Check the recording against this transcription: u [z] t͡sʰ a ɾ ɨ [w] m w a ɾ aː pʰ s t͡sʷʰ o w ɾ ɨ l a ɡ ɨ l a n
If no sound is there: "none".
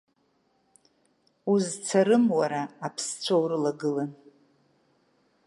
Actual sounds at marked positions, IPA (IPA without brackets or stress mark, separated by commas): z, none